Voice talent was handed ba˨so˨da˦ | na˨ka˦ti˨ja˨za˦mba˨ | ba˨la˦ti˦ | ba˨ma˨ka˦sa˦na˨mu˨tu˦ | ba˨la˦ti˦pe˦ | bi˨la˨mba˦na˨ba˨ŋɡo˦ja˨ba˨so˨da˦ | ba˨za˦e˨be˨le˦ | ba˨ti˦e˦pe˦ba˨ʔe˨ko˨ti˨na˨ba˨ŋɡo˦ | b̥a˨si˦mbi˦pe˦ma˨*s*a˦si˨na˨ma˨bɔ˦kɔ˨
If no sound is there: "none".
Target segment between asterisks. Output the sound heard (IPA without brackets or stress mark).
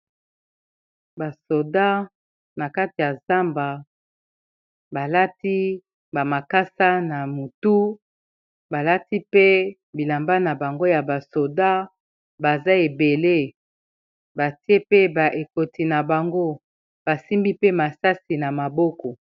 s